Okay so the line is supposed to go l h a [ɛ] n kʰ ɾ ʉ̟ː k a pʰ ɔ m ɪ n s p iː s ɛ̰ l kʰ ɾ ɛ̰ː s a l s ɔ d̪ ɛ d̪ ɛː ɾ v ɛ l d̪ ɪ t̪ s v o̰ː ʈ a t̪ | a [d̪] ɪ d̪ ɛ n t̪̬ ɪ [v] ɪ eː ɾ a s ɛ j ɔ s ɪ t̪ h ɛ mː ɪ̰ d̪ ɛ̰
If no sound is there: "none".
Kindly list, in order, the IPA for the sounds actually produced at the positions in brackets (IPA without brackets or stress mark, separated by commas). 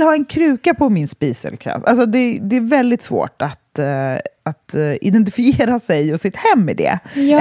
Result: ɛ, t̪, f